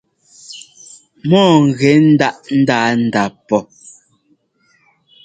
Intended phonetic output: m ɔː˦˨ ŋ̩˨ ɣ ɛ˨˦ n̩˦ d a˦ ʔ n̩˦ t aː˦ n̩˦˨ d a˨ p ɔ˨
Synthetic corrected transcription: m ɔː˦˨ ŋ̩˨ ɣ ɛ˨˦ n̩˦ d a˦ ʔ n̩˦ d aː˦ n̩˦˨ d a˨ p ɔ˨